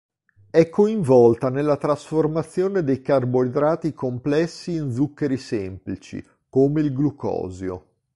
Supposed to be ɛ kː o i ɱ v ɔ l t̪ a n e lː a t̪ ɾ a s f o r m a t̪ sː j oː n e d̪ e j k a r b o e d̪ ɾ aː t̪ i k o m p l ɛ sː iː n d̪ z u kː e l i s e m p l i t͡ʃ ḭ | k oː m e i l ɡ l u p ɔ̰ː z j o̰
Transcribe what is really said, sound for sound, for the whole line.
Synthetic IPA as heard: ɛ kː o i ɱ v ɔ l t̪ a n e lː a t̪ ɾ a s f o r m a t̪ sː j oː n e d̪ e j k a r b o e d̪ ɾ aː t̪ i k o m p l ɛ sː iː n d̪ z u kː e ɾ i s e m p l i t͡ʃ ḭ | k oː m e i l ɡ l u k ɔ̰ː z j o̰